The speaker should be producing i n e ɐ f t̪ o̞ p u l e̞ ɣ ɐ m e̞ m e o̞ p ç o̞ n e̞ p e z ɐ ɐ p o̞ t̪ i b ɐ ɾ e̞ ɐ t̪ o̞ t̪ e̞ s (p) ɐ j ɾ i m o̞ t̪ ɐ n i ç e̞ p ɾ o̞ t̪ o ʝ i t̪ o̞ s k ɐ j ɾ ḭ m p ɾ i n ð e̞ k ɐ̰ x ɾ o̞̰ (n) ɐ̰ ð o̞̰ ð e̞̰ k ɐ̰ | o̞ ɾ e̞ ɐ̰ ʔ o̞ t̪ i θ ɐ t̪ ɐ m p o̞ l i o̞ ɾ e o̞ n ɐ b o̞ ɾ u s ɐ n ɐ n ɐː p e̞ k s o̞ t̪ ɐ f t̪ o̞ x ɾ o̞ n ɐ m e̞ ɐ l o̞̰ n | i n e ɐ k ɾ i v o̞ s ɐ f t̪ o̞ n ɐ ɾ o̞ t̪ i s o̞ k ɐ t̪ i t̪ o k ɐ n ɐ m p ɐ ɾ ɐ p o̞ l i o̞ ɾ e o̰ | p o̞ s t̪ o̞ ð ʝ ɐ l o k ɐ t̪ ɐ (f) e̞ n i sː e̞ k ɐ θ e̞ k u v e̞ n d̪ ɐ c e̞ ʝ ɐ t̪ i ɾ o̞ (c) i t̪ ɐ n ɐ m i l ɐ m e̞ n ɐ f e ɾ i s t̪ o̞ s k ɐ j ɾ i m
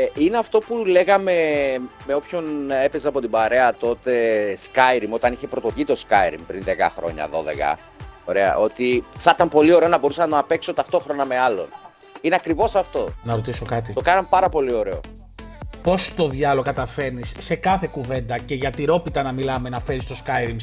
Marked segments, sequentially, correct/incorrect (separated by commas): incorrect, incorrect, correct, incorrect